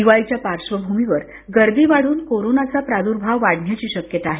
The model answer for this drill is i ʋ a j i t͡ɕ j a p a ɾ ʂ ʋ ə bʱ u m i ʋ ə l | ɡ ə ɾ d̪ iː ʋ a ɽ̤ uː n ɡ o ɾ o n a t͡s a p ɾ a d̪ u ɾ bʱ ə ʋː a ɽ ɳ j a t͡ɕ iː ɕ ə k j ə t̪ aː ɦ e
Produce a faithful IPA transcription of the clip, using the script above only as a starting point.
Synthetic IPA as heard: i ʋ a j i t͡ɕ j a p a ɾ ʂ ʋ ə bʱ u m i ʋ ə ɾ | ɡ ə ɾ d̪ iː ʋ a ɽ̤ uː n k o ɾ o n a t͡s a p ɾ a d̪ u ɾ bʱ a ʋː a ɽ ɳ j a t͡ɕ iː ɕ ə k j ə t̪ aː ɦ e